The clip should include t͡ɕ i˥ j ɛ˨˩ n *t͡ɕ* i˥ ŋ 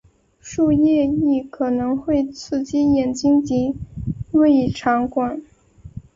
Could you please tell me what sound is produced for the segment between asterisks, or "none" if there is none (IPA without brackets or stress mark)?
t͡ɕ